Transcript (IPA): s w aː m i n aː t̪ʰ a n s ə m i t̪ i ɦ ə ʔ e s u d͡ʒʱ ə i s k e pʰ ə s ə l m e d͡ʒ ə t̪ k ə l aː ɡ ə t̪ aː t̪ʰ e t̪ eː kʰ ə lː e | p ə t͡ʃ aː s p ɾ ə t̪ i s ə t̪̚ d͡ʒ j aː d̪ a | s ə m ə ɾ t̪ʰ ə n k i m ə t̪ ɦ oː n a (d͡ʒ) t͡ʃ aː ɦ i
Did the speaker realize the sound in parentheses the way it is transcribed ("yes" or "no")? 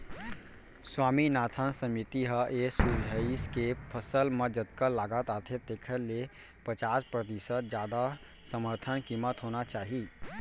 no